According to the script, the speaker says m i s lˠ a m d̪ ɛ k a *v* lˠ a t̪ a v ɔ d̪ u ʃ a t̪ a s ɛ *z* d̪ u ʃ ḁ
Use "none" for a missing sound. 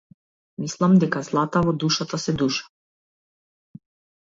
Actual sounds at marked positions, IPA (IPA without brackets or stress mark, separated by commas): z, none